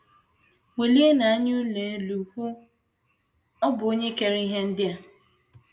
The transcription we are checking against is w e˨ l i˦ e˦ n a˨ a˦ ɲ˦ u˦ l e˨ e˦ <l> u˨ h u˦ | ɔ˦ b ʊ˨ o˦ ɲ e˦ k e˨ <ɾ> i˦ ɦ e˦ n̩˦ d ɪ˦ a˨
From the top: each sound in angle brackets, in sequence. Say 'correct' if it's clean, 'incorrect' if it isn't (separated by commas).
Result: correct, correct